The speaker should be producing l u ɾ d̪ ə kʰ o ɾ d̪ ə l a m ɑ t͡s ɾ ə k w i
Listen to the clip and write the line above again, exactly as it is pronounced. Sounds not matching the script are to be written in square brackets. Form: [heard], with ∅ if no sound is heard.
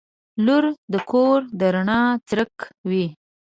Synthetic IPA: l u ɾ d̪ ə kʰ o ɾ d̪ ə [ɾ] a [ɳ] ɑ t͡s ɾ ə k w i